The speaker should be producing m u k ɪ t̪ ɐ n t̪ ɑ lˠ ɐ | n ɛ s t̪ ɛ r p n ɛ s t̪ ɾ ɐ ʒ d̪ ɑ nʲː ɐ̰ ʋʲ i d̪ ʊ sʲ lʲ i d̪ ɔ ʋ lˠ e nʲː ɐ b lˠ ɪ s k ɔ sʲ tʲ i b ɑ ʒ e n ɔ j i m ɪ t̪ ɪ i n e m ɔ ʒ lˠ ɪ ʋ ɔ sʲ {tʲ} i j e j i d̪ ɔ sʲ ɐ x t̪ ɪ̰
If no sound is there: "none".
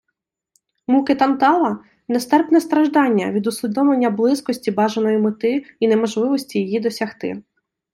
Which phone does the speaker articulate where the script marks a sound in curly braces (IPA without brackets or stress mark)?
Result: tʲ